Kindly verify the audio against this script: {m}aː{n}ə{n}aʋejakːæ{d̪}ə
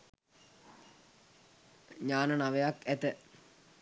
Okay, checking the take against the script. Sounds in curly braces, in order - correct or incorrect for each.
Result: incorrect, correct, correct, incorrect

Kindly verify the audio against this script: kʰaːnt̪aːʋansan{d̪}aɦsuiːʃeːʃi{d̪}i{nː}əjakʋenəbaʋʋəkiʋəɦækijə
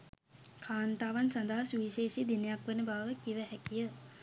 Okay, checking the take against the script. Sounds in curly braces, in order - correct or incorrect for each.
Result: correct, correct, incorrect

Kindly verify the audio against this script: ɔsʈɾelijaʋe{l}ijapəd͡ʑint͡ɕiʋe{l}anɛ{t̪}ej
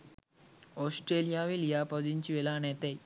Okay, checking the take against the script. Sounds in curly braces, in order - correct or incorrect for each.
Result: correct, correct, correct

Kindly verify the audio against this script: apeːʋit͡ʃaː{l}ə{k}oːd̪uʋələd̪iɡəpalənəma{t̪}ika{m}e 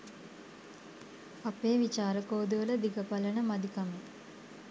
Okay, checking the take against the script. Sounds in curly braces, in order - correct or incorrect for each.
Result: incorrect, correct, incorrect, correct

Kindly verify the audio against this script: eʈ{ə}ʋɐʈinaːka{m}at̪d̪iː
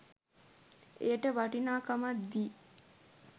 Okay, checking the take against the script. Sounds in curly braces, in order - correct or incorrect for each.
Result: correct, correct

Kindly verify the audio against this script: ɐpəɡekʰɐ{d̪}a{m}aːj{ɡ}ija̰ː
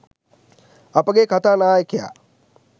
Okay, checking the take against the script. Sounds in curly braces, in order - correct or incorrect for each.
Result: incorrect, incorrect, incorrect

